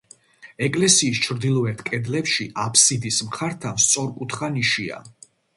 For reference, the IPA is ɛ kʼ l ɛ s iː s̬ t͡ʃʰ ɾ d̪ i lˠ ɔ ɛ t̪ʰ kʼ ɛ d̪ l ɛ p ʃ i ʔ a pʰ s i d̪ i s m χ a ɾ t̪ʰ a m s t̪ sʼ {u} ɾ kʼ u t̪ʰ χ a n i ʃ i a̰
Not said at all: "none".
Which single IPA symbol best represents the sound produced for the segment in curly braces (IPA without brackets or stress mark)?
ɔ